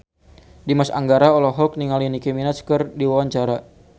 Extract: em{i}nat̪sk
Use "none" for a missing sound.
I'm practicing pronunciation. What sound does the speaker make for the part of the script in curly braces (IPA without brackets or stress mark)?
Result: i